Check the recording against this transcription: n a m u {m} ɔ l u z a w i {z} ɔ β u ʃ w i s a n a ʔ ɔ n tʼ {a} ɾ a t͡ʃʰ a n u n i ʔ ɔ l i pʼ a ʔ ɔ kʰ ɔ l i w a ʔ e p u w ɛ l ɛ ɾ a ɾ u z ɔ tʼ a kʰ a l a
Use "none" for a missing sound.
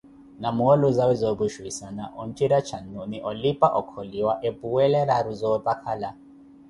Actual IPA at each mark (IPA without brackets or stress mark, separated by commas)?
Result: none, z, i